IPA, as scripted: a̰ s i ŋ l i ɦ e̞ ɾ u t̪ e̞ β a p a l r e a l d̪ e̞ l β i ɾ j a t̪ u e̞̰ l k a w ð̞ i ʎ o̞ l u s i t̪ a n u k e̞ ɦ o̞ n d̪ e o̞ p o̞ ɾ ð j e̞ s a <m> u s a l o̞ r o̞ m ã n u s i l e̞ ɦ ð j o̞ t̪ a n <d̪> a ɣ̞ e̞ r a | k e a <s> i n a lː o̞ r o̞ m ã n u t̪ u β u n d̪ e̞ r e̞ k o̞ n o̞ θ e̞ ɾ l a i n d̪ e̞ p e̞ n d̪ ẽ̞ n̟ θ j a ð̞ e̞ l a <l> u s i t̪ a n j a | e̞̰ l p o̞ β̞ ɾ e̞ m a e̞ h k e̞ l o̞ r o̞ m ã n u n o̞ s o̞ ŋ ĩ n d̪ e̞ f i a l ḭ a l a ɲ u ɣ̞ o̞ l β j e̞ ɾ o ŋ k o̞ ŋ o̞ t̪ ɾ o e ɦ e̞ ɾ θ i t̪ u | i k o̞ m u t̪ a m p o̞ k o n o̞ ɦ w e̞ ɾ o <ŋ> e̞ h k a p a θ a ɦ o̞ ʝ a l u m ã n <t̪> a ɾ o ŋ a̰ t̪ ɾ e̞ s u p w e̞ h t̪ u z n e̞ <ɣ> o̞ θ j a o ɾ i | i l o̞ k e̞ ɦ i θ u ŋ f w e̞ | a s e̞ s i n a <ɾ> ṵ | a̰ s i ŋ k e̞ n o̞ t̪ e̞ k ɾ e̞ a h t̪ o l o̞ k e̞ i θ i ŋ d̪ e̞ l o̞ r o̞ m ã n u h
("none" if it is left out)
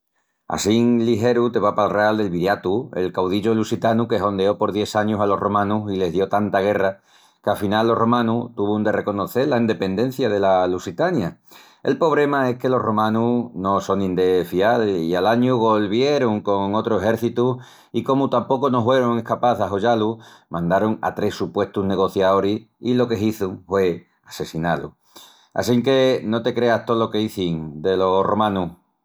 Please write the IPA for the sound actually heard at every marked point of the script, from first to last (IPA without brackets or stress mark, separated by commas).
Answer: ɲ, t̪, f, l, ŋ, d̪, ɣ, l